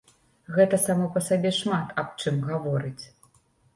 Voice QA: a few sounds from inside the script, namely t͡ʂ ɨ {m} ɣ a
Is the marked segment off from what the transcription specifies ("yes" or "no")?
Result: no